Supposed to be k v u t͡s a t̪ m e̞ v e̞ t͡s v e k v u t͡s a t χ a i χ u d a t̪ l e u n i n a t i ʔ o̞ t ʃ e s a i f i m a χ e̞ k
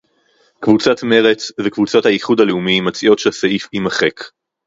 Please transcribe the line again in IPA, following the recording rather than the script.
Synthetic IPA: k v u t͡s a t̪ m e̞ ʁ e̞ t͡s v e k v u t͡s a t h a i χ u d a l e u m i m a t͡s i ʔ o̞ t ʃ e s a i f i m a χ e̞ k